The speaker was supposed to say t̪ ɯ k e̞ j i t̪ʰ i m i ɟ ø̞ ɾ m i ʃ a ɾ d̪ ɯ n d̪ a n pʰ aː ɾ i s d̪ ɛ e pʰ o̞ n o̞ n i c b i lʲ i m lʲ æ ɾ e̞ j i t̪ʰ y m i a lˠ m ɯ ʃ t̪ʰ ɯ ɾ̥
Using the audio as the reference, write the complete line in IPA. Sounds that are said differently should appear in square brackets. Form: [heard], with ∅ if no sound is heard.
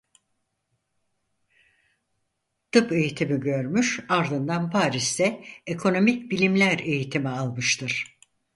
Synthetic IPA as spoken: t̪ ɯ [p] e̞ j i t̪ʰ i m i ɟ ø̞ ɾ m [y] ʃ a ɾ d̪ ɯ n d̪ a n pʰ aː ɾ i s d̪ ɛ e [kʰ] o̞ n o̞ [m] i c b i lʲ i m lʲ æ ɾ e̞ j i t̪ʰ [i] m i a lˠ m ɯ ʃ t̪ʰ ɯ ɾ̥

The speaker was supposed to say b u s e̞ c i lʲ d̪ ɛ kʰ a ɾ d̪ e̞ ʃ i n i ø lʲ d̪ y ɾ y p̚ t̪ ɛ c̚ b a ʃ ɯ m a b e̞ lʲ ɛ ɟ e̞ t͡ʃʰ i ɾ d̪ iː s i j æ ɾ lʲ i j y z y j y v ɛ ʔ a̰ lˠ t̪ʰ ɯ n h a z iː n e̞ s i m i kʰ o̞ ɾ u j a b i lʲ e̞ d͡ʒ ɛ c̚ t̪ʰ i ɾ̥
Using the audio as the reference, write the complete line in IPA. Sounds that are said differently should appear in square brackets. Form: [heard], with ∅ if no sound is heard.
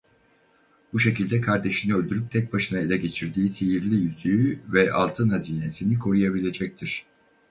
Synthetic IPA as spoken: b u [ʃ] e̞ c i lʲ d̪ ɛ kʰ a ɾ d̪ e̞ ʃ i n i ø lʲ d̪ y ɾ y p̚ [t̪ʰ] ɛ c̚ b a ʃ ɯ [n] a [∅] e̞ lʲ ɛ ɟ e̞ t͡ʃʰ i ɾ d̪ iː s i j [i] ɾ lʲ i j y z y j y v ɛ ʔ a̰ lˠ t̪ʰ ɯ n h a z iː n e̞ s i [n] i kʰ o̞ ɾ u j a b i lʲ e̞ d͡ʒ ɛ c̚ t̪ʰ i ɾ̥

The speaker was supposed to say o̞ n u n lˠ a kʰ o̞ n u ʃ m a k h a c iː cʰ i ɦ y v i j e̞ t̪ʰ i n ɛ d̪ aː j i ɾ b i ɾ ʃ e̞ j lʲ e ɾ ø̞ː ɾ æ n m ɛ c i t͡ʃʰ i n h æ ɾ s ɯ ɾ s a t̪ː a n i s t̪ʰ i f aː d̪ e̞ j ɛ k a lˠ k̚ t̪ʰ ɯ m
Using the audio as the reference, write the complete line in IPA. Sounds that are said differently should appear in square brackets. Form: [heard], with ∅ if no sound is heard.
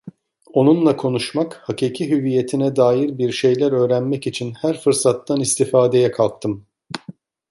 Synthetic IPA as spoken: o̞ n u n lˠ a kʰ o̞ n u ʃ m a k h a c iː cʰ i ɦ y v i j e̞ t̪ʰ i n ɛ d̪ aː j i ɾ b i ɾ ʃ e̞ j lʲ [æ] ɾ ø̞ː ɾ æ n m ɛ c i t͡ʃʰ i n h æ ɾ [f] ɯ ɾ s a t̪ː a n i s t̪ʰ i f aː d̪ e̞ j ɛ [kʰ] a lˠ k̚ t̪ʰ ɯ m

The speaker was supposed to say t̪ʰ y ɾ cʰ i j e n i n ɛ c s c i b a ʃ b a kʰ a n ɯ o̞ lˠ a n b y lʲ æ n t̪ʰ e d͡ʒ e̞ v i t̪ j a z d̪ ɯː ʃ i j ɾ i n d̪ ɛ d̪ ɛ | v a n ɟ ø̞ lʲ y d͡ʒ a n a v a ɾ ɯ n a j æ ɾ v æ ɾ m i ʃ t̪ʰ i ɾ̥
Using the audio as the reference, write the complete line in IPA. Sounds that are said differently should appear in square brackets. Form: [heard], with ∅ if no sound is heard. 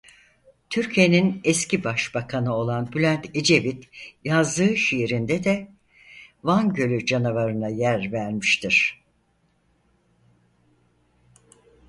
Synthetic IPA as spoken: t̪ʰ y ɾ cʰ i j e n i n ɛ [∅] s c i b a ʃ b a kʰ a n ɯ o̞ lˠ a n b y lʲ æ n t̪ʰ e d͡ʒ e̞ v i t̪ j a z d̪ ɯː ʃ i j ɾ i n d̪ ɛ d̪ ɛ | v a n ɟ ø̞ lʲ y d͡ʒ a n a v a ɾ ɯ n a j æ ɾ v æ ɾ m i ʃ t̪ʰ i ɾ̥

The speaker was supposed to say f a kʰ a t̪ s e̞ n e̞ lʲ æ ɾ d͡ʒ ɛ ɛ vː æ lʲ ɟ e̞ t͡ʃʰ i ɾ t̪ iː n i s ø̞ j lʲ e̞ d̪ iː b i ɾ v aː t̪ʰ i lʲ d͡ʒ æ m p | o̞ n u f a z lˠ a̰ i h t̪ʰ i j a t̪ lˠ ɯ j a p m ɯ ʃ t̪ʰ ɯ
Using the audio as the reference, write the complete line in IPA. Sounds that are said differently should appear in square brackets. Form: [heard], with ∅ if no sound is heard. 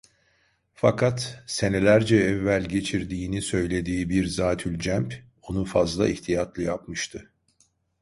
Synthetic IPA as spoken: f a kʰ a t̪ s e̞ n e̞ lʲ æ ɾ d͡ʒ ɛ ɛ vː æ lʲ ɟ e̞ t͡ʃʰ i ɾ [d̪] iː n i s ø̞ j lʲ e̞ d̪ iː b i ɾ [z] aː t̪ʰ [y] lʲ d͡ʒ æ m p | o̞ n u f a z lˠ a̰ i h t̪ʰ i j a t̪ lˠ ɯ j a p m ɯ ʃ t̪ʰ ɯ

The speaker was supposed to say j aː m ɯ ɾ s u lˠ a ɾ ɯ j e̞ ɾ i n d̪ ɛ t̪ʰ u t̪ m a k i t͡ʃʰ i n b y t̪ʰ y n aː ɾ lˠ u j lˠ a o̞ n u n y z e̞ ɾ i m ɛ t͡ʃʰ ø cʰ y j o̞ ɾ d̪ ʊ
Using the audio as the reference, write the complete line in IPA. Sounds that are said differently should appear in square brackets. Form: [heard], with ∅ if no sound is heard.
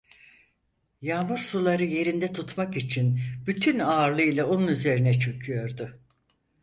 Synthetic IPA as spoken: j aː m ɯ ɾ s u lˠ a ɾ ɯ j e̞ ɾ i n d̪ ɛ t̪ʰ u t̪ m a k i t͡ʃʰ i n b y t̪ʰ y n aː ɾ lˠ [ɯ] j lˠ a o̞ n u n y z e̞ ɾ i [n] ɛ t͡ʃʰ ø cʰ y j o̞ ɾ d̪ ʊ

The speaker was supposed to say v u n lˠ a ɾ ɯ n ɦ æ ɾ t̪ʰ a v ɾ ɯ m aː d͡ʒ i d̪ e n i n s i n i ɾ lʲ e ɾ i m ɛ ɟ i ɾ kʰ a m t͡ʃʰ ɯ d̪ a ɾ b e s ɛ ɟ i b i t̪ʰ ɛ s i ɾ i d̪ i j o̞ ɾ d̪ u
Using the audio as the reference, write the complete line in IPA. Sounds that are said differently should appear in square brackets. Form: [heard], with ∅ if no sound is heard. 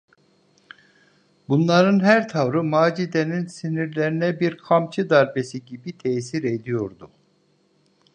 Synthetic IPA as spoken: [b] u n lˠ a ɾ ɯ n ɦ æ ɾ t̪ʰ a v ɾ ɯ m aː d͡ʒ i d̪ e n i n s i n i ɾ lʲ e ɾ i [n] ɛ [b] i ɾ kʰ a m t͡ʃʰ ɯ d̪ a ɾ b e s [i] ɟ i b i t̪ʰ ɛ s i ɾ [e] d̪ i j o̞ ɾ d̪ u

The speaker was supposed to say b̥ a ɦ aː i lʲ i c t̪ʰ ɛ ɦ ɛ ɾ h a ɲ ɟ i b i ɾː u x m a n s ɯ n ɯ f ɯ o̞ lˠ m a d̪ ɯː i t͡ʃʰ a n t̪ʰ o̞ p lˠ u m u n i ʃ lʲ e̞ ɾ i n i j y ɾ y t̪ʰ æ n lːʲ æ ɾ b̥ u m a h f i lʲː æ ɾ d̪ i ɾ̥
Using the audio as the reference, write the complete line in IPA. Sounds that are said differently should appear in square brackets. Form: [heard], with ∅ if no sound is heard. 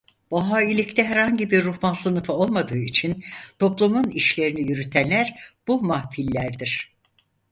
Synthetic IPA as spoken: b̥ a ɦ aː i lʲ i c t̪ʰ ɛ ɦ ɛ ɾ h a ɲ ɟ i b i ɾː u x m a n s ɯ n ɯ f ɯ o̞ lˠ m a d̪ ɯː i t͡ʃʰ [i] n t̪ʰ o̞ p lˠ u m u n i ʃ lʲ e̞ ɾ i n i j y ɾ y t̪ʰ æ n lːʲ æ ɾ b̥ u m a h f i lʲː æ ɾ d̪ i ɾ̥

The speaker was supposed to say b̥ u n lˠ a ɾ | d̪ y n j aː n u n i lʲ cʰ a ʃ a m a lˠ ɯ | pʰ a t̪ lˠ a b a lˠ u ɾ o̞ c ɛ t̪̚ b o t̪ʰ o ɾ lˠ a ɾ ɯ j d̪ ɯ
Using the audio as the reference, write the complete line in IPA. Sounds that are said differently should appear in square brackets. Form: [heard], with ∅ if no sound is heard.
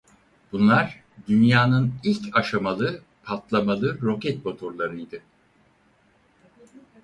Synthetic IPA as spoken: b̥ u n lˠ a ɾ | d̪ y n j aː n [ɯ] n i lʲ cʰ a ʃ a m a lˠ ɯ | pʰ a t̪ lˠ a [m] a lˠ [ɯ] ɾ o̞ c ɛ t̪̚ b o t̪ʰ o ɾ lˠ a ɾ ɯ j d̪ ɯ

